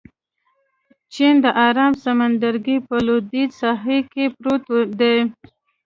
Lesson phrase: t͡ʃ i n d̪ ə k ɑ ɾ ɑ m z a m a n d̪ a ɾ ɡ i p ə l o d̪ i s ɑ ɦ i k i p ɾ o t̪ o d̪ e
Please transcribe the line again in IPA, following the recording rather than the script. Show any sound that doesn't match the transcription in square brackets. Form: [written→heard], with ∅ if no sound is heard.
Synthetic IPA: t͡ʃ i n d̪ ə [k→ʔ] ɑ ɾ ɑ m [z→s] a m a n d̪ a ɾ ɡ i p ə l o d̪ i s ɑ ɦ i k [i→e] p ɾ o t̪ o d̪ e